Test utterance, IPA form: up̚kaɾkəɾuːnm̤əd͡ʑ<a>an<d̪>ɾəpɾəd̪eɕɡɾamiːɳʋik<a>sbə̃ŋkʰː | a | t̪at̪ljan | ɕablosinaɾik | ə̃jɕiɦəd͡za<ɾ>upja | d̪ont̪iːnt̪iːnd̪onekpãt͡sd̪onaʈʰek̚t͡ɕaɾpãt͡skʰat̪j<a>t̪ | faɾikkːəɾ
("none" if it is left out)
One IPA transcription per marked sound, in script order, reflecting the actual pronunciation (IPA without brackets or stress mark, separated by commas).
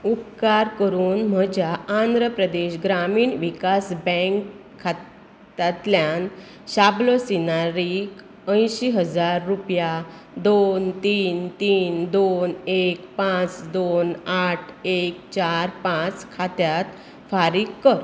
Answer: a, d̪, a, ɾː, a